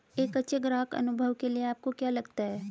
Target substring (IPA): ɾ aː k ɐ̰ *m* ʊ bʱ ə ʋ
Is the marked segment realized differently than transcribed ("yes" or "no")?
yes